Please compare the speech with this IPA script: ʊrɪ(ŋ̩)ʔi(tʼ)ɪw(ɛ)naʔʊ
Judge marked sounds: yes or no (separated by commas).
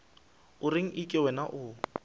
yes, no, yes